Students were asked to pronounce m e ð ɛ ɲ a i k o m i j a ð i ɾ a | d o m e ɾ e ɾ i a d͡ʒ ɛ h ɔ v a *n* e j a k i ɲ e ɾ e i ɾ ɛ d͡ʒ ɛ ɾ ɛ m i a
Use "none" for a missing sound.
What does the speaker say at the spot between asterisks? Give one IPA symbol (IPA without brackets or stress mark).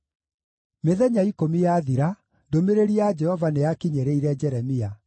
n